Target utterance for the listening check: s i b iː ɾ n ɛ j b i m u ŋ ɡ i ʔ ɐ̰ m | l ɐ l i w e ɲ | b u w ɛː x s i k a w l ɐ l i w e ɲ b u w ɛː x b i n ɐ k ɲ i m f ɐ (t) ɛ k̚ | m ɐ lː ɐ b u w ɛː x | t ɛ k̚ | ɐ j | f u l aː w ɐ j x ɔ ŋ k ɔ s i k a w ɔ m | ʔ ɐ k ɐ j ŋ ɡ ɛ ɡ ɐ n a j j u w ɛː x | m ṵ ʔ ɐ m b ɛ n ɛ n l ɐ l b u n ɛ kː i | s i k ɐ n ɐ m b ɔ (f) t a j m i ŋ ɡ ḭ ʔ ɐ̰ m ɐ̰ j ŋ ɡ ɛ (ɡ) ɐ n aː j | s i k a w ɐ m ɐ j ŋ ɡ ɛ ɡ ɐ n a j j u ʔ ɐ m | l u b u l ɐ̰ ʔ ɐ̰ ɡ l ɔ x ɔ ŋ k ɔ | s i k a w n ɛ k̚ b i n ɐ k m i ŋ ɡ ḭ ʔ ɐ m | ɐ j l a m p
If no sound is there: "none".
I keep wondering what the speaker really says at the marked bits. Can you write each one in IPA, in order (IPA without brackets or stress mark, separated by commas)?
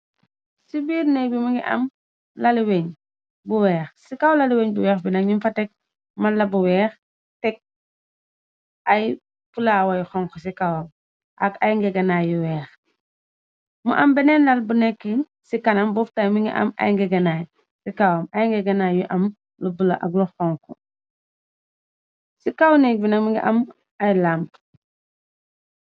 t, f, ɡ